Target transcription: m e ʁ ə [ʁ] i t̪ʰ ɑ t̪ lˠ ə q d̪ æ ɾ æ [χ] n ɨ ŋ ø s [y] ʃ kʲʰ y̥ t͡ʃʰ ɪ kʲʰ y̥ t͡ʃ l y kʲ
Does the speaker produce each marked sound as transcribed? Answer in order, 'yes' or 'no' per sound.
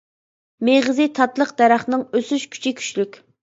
no, yes, yes

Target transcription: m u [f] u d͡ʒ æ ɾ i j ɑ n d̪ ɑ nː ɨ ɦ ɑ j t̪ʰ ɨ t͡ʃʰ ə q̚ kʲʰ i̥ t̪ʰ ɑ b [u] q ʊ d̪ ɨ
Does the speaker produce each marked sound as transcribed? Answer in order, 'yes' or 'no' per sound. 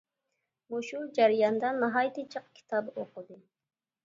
no, no

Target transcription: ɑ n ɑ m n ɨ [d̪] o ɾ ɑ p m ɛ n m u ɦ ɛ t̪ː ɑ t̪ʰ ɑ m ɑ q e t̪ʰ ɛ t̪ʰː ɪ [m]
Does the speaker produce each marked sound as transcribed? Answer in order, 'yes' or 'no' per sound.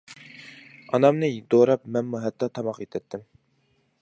yes, yes

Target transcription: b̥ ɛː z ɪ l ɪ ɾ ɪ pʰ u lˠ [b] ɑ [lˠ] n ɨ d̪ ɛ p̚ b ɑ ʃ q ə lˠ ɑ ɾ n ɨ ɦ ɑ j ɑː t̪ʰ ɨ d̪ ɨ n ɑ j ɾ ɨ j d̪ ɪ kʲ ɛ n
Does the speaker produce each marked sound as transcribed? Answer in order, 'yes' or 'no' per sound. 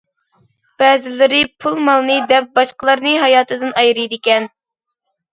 no, yes

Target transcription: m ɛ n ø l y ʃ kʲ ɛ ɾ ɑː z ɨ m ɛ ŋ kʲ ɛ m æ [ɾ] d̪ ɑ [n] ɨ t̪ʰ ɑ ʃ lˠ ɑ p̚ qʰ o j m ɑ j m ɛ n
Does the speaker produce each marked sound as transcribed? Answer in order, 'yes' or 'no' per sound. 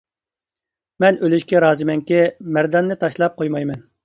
yes, no

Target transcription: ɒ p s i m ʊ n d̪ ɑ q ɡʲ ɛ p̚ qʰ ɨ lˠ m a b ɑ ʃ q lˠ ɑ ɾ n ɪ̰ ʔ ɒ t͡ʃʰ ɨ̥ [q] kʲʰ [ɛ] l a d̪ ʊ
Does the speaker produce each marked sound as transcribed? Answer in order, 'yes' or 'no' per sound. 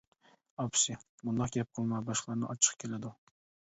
yes, no

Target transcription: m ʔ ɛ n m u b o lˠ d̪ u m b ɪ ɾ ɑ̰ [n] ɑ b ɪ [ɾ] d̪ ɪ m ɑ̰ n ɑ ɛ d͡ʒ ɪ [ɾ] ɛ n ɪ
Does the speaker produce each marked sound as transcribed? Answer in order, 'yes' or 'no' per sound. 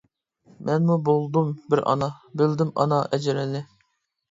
yes, no, yes

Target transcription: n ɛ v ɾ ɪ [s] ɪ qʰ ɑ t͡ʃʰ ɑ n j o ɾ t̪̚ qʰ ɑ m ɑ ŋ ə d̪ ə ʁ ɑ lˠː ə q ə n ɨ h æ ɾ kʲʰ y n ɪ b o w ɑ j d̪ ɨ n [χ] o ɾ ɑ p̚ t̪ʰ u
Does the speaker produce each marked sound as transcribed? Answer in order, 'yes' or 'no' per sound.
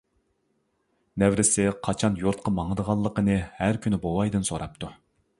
yes, no

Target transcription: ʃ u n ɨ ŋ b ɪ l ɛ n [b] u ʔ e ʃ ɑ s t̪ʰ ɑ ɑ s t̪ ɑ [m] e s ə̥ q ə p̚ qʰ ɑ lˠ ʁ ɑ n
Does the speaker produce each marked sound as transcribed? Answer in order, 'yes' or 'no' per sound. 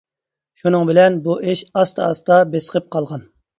yes, no

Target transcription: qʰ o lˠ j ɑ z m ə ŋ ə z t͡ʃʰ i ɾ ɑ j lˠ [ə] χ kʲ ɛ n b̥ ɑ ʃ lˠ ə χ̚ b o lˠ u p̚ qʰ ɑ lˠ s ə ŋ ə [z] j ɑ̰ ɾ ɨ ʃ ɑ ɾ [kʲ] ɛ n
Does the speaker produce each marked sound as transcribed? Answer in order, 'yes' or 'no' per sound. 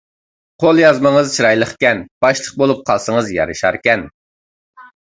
yes, yes, yes

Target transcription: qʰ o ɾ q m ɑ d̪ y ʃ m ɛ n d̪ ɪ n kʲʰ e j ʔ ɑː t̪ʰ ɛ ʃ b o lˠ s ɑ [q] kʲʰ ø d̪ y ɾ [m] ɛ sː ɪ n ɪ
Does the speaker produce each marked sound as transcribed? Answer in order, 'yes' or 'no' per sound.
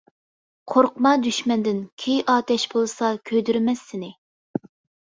no, yes

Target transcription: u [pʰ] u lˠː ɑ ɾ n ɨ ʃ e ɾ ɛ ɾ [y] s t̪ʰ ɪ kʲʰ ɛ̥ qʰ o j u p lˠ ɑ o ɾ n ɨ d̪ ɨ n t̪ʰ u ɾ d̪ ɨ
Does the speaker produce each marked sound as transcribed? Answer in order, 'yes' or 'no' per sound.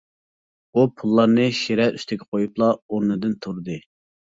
yes, yes

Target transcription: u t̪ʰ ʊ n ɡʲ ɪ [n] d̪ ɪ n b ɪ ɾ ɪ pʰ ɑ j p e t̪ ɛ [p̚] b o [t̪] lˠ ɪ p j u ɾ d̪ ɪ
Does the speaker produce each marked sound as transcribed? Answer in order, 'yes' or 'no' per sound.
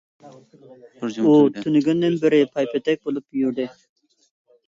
yes, no, no

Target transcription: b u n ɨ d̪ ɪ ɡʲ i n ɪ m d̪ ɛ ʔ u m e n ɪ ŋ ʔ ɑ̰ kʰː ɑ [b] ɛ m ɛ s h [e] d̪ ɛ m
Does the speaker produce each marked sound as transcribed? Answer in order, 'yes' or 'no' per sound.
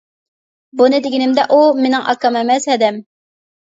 no, no

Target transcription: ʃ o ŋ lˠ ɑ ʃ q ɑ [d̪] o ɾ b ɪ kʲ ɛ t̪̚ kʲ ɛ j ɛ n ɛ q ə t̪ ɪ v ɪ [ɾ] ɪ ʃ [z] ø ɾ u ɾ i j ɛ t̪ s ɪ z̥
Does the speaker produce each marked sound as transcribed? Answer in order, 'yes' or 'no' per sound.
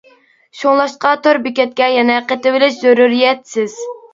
no, no, yes

